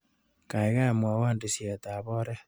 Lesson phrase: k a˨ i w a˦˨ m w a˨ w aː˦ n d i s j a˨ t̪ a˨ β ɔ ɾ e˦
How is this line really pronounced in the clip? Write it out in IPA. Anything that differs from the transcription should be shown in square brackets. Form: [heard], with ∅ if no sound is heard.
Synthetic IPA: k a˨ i [ɣ] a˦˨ m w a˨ w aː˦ n d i s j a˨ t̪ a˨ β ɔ ɾ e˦